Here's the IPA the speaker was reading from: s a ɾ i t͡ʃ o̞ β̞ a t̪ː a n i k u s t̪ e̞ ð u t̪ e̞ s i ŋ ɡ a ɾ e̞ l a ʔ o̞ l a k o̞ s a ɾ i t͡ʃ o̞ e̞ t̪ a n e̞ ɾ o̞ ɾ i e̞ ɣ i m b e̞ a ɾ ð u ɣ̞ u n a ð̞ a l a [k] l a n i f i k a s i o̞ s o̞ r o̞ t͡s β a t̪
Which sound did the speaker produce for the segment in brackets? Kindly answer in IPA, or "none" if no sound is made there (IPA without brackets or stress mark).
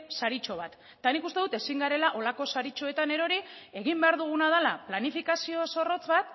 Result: p